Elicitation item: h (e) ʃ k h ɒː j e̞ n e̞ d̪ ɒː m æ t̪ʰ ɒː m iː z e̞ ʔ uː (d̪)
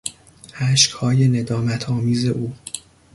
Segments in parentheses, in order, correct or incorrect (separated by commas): incorrect, incorrect